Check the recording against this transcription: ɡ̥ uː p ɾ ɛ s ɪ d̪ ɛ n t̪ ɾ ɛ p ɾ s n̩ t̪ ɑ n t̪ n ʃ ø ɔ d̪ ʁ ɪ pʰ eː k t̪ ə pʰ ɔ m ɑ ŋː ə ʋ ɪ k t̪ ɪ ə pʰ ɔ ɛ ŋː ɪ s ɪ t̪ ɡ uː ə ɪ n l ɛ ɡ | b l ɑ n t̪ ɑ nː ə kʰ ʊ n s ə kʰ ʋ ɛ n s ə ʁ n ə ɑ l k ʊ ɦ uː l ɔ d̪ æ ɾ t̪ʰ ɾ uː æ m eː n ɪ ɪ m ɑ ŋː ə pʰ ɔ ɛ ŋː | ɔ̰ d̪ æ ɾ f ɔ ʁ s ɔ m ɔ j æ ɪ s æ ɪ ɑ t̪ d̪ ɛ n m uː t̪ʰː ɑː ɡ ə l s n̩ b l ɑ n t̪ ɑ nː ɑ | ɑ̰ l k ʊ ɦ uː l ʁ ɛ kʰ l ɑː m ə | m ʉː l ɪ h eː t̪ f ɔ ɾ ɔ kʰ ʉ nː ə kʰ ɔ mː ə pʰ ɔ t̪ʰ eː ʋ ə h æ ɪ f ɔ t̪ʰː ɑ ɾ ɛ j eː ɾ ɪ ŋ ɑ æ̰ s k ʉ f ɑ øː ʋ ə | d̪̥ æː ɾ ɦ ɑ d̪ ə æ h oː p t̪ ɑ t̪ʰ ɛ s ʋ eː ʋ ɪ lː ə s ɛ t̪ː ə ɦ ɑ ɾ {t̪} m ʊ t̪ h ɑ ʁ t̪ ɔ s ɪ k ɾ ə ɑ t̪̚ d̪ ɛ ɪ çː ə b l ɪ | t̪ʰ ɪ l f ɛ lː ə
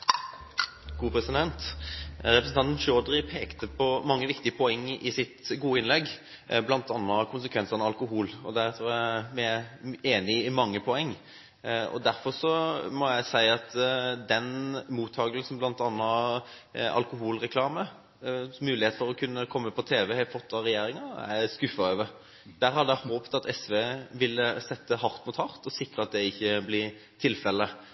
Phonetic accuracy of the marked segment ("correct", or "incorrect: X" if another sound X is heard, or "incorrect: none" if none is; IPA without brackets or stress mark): correct